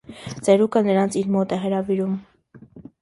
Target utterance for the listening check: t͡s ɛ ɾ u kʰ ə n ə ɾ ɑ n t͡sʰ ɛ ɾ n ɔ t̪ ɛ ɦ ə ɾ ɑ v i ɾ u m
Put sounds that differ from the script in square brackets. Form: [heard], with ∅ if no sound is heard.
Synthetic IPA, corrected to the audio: t͡s ɛ ɾ u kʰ ə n ə ɾ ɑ n t͡sʰ [i] ɾ [m] ɔ t̪ ɛ ɦ ə ɾ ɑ v i ɾ u m